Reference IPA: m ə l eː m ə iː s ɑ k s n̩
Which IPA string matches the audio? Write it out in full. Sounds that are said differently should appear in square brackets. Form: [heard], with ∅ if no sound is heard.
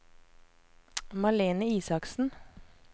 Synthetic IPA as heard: m [ɑ] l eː [n] ə iː s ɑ k s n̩